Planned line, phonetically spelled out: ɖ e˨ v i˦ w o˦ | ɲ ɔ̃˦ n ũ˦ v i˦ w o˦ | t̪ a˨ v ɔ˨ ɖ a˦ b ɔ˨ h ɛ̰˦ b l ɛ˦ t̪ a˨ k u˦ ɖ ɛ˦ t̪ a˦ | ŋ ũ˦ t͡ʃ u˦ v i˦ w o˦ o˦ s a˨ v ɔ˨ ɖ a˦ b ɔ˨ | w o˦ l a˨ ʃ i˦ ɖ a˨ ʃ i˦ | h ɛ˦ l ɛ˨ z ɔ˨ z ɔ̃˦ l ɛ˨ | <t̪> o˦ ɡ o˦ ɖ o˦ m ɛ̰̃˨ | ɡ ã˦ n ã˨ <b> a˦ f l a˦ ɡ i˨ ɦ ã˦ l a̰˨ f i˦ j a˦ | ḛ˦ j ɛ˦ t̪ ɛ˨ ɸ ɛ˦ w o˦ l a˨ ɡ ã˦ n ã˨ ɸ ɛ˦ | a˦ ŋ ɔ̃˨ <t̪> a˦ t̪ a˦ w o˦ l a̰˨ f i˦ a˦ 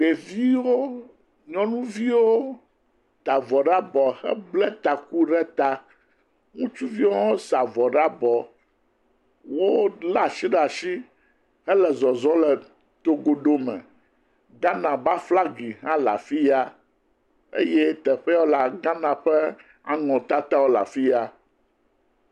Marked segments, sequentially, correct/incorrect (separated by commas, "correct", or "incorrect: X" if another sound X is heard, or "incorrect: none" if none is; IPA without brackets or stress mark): correct, correct, correct